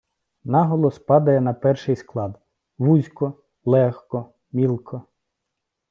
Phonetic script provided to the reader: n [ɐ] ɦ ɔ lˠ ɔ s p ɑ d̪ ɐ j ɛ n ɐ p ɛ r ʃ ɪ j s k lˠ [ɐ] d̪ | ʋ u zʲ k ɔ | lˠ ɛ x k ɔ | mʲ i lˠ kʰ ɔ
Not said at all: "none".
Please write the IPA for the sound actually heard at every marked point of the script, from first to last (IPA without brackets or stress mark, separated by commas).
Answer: ɑ, ɑ